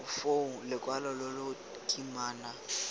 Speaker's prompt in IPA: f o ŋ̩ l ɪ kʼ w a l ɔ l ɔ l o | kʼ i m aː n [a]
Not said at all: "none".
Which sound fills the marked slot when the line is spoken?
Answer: a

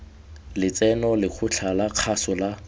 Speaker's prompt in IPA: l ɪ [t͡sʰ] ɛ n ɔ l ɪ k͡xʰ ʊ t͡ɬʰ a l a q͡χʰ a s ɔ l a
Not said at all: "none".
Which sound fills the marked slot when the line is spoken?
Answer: t͡s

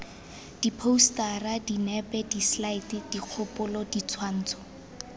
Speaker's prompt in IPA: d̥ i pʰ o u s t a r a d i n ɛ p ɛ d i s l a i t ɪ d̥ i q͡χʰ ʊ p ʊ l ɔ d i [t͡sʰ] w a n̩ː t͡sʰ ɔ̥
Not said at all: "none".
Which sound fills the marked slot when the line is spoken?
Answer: t͡sʰ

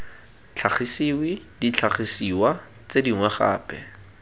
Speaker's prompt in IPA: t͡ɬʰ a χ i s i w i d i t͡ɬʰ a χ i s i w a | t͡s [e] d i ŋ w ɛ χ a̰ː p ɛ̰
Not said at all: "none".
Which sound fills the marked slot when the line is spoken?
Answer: e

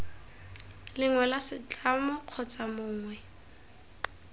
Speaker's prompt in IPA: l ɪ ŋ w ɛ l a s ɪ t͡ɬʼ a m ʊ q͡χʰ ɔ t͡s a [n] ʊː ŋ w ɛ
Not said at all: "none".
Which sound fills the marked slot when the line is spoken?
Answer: m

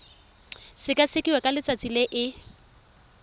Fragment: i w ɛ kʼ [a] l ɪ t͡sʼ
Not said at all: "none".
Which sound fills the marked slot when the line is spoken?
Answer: a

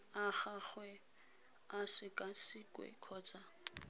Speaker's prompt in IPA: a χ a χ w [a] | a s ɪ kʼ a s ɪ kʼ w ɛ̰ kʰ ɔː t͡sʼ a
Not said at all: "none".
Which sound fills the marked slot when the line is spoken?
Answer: ɛ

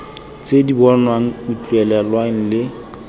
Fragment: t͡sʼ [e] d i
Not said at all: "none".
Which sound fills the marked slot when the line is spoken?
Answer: e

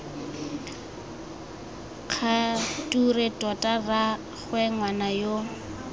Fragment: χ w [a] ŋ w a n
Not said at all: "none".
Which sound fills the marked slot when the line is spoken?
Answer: ɛ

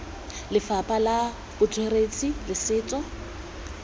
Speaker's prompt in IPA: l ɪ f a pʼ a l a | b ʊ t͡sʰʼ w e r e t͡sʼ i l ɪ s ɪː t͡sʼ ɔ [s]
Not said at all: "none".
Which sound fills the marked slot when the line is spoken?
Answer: none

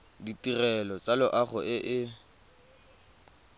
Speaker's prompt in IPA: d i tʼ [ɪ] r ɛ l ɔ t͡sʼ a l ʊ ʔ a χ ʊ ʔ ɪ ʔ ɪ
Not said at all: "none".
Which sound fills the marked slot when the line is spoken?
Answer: i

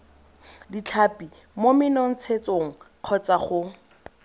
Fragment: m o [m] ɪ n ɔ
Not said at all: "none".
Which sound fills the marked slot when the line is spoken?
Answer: m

